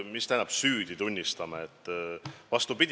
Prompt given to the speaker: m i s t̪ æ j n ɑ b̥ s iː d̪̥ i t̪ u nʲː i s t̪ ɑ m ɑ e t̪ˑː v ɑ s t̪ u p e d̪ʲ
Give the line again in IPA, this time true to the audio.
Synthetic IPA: m i s t̪ æ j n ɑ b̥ s yː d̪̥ i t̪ u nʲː i s t̪ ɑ m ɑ e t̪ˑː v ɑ s t̪ u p i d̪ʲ